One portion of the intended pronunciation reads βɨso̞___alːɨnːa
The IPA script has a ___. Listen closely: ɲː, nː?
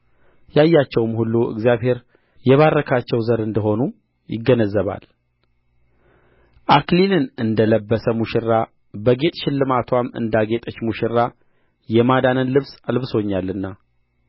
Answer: ɲː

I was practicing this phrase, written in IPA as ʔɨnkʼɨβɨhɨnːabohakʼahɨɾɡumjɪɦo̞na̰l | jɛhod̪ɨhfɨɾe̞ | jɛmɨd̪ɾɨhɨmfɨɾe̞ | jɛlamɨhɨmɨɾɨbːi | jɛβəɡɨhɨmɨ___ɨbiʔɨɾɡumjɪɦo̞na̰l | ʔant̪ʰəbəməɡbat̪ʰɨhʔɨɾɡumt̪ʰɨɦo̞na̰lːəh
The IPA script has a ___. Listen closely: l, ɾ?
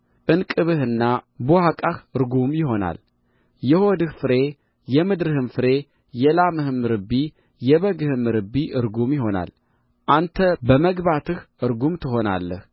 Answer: ɾ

